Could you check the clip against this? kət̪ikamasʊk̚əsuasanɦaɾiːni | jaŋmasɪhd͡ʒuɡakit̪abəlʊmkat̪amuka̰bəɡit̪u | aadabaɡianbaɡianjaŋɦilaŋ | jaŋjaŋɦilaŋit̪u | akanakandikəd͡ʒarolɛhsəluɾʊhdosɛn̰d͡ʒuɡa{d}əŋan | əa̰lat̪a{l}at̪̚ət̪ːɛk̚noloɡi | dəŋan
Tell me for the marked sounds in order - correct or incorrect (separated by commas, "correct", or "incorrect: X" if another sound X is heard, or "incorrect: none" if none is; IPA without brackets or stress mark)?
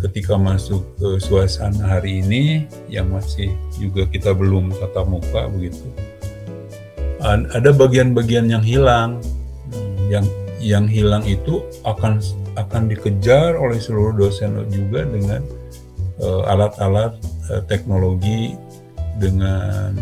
correct, correct